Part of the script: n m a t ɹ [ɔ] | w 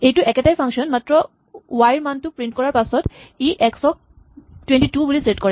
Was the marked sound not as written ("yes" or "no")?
no